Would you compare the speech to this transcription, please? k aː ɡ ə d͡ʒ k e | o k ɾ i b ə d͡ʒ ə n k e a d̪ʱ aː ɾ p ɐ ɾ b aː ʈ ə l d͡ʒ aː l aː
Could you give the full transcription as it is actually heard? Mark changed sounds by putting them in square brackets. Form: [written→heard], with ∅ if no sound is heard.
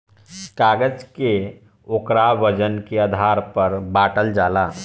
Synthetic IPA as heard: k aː ɡ ə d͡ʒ k e | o k ɾ [i→a] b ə d͡ʒ ə n k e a d̪ʱ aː ɾ p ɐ ɾ b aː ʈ ə l d͡ʒ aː l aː

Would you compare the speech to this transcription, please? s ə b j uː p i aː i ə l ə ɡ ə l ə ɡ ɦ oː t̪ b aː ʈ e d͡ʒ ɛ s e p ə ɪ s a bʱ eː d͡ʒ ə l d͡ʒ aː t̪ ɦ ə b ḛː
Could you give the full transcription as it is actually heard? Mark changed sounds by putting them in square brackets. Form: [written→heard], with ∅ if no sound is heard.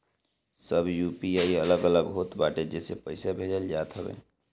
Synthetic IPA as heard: s ə b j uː p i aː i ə l ə ɡ ə l ə ɡ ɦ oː t̪ b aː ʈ e d͡ʒ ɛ s e p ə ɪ s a bʱ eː d͡ʒ ə l d͡ʒ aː t̪ ɦ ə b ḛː

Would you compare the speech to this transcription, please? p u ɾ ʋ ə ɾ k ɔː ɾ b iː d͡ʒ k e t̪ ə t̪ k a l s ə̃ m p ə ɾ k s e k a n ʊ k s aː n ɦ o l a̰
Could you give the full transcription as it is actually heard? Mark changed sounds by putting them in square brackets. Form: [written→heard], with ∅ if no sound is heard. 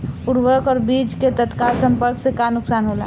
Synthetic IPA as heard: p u ɾ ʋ ə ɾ k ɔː ɾ b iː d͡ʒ k e t̪ ə t̪ k a l s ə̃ m p ə ɾ k s e k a n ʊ k s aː n ɦ o l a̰

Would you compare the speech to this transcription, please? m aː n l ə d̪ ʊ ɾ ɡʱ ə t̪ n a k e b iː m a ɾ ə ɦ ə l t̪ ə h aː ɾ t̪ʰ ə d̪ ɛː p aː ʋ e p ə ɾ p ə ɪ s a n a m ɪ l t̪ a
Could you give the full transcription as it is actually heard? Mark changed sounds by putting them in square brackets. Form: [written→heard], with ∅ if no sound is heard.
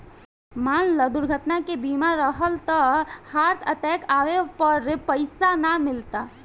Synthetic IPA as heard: m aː n l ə d̪ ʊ ɾ ɡʱ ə t̪ n a k e b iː m a ɾ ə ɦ ə l t̪ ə h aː ɾ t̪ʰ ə [d̪→t̪] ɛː [p→k] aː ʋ e p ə ɾ p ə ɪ s a n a m ɪ l t̪ a

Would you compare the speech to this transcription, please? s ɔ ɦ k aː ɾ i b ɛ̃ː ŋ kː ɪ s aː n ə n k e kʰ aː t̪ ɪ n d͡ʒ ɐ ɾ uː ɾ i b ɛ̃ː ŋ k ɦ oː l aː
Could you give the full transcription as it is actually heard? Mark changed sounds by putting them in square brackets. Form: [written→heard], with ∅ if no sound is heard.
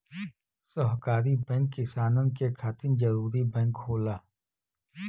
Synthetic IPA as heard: s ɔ ɦ k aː ɾ i b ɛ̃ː ŋ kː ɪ s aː n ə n k e kʰ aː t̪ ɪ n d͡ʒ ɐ ɾ uː ɾ i b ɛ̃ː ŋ k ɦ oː l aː

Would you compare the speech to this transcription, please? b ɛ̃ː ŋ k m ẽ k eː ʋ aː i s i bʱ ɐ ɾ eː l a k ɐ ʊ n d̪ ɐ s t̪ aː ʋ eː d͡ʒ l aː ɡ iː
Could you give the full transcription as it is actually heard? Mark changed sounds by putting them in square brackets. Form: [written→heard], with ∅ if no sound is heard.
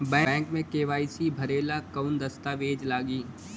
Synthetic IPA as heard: b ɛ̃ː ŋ k m ẽ k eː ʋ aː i s i bʱ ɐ ɾ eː l a k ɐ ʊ n d̪ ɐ s t̪ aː ʋ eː d͡ʒ l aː ɡ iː

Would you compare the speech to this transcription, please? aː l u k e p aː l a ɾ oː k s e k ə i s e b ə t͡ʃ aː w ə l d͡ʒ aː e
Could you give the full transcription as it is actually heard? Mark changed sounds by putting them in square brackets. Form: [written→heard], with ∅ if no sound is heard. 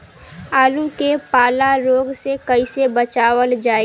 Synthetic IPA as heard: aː l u k e p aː l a ɾ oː [k→ɡ] s e k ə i s e b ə t͡ʃ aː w ə l d͡ʒ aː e

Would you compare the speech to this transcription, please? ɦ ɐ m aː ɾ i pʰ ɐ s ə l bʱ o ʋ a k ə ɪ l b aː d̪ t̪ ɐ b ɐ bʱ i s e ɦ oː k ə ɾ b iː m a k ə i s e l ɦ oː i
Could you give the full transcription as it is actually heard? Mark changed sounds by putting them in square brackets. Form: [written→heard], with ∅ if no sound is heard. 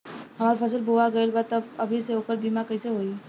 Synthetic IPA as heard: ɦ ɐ m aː ɾ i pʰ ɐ s ə l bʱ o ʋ a [k→ɡ] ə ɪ l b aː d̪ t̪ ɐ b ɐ bʱ i s e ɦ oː k ə ɾ b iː m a k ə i s e [l→∅] ɦ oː i

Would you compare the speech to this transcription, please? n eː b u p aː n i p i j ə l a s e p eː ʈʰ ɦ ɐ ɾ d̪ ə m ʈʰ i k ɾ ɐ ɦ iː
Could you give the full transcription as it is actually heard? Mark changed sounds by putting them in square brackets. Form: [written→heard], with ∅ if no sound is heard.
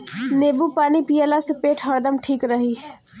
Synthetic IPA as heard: n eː b u p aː n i p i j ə l a s e p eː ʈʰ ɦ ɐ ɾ d̪ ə m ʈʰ [i→iː] k ɾ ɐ ɦ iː

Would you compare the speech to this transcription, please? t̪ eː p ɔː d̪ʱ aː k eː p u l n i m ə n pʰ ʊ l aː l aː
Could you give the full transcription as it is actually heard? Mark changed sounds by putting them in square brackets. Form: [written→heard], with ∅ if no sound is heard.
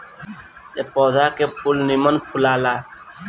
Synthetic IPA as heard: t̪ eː p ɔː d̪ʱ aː k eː p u l n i m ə n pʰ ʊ l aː l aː

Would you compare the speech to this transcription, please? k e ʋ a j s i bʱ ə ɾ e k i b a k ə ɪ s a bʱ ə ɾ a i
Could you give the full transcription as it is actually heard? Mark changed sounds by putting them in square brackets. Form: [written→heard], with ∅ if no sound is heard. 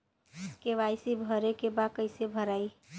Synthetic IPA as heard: k e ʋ a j s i bʱ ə ɾ e k [i→e] b a k ə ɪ s [a→e] bʱ ə ɾ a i

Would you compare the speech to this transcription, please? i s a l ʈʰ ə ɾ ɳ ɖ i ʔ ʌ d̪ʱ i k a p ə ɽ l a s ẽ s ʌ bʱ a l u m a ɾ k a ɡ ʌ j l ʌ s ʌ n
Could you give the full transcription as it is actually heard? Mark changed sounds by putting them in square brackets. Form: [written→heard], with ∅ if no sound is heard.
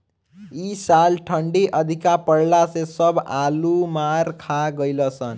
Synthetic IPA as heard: i s a l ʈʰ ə [ɾ→∅] ɳ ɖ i ʔ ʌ d̪ʱ i k a p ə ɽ l a s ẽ s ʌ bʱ a l u m a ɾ [k→kʰ] a ɡ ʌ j l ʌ s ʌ n

